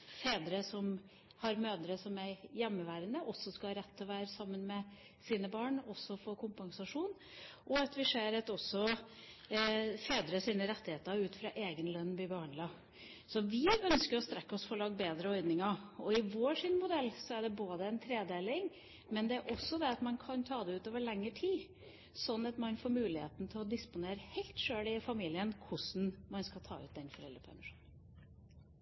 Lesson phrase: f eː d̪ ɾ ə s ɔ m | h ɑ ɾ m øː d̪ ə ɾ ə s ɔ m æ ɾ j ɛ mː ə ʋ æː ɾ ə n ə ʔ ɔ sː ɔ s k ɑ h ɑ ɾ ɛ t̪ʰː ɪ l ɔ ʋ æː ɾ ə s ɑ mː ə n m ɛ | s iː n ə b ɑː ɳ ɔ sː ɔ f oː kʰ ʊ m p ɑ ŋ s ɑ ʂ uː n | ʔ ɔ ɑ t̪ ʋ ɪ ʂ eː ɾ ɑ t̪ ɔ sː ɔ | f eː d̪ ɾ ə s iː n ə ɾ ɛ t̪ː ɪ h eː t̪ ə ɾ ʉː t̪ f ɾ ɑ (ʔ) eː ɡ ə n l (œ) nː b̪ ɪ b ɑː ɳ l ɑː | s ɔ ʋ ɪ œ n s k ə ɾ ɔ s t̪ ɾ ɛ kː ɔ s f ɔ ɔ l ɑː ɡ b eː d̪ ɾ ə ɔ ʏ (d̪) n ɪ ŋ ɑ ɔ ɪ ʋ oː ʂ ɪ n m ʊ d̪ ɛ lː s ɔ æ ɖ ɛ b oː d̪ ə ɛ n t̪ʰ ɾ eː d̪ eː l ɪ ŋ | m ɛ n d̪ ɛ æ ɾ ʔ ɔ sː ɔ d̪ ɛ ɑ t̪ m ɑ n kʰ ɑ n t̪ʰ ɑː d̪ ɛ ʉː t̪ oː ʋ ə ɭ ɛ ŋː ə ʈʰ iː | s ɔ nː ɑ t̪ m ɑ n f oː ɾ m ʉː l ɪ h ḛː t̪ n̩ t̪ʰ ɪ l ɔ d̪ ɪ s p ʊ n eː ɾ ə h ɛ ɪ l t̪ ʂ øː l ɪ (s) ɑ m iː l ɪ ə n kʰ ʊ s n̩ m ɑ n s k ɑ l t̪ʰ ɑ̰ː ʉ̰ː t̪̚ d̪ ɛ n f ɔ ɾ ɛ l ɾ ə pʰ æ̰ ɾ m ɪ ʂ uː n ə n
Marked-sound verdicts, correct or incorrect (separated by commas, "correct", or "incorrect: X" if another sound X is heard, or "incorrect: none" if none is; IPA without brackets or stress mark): correct, correct, correct, incorrect: f